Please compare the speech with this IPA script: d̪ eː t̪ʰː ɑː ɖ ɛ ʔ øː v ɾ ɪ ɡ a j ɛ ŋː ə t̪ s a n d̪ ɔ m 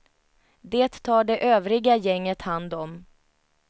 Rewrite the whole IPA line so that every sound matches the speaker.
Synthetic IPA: d̪ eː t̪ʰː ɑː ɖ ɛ ʔ øː v ɾ ɪ ɡ a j ɛ ŋː ə t̪ h a n d̪ ɔ m